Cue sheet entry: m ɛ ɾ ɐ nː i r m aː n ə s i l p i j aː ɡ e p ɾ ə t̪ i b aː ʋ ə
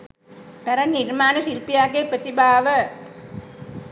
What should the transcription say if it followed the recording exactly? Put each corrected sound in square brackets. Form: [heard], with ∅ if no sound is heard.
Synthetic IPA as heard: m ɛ ɾ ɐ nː i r m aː n ə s i l p i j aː ɡ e p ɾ ə t̪ i b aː ʋ ə